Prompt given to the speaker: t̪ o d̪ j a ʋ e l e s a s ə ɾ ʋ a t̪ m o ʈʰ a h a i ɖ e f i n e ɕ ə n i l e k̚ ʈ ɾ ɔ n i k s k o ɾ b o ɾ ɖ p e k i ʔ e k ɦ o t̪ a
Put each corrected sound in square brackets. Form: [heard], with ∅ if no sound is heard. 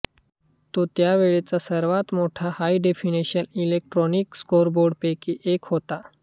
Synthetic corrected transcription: t̪ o [t̪] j a ʋ e [ɭ] e [t͡s] a s ə ɾ ʋ a t̪ m o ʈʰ a h a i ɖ e f i n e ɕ ə n i l e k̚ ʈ ɾ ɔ n i k s k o ɾ b o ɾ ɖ p e k i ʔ e k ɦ o t̪ a